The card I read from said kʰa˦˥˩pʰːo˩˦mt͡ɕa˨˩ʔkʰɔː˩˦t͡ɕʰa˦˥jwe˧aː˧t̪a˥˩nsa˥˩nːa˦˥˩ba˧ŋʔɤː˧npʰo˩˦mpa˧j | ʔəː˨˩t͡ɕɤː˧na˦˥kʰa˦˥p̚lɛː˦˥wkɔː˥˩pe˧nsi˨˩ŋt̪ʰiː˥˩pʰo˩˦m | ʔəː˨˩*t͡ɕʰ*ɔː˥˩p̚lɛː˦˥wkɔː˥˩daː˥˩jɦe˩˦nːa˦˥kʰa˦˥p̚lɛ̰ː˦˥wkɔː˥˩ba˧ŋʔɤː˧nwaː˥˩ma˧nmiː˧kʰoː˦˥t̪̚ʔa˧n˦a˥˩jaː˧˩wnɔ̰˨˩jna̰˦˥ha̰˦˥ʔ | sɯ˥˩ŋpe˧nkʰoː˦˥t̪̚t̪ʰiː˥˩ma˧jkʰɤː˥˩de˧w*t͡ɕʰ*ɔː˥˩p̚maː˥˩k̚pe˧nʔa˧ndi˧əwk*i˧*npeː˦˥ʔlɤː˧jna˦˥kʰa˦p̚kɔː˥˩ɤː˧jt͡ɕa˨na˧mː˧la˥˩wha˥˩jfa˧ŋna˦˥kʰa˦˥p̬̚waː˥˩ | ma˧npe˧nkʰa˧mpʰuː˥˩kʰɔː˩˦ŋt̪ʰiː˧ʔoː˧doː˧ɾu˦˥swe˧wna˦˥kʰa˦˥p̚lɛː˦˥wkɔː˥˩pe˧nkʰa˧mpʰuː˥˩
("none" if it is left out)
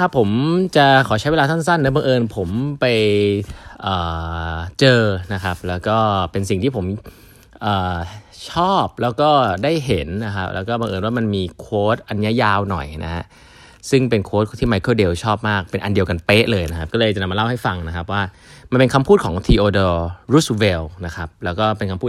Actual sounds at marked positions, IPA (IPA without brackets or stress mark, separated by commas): t͡ɕʰ, t͡ɕʰ, a˧